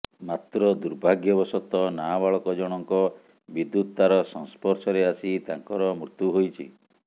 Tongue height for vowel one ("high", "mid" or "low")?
low